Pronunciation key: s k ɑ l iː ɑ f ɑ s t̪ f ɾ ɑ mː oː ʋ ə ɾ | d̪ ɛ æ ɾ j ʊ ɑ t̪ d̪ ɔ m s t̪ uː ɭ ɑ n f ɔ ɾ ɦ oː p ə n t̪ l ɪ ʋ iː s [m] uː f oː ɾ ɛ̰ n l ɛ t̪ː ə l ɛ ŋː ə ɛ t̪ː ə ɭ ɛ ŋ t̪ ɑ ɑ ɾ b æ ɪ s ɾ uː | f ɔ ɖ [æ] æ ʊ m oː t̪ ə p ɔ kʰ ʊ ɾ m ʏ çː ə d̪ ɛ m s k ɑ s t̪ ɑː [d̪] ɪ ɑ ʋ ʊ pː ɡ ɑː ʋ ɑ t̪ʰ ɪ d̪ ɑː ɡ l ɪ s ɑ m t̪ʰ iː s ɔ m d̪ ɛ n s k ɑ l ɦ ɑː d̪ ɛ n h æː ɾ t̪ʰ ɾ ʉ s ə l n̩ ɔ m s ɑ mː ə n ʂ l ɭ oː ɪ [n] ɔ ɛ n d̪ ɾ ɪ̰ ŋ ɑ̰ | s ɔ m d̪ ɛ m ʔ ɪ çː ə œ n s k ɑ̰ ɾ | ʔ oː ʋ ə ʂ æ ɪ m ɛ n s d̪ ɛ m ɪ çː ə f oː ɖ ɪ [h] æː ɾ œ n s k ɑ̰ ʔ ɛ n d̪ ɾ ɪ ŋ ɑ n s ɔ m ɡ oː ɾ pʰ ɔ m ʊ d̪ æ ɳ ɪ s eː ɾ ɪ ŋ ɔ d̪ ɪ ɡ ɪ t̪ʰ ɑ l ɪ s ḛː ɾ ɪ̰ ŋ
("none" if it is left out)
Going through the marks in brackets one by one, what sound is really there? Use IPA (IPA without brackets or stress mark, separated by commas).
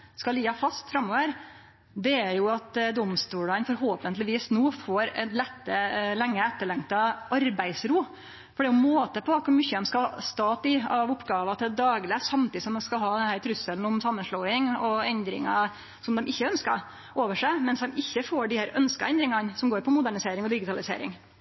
n, ɛ, t̪, ŋ, h